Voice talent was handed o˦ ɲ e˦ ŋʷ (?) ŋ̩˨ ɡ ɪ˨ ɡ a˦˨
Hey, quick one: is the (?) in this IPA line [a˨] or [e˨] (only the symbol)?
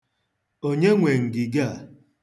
e˨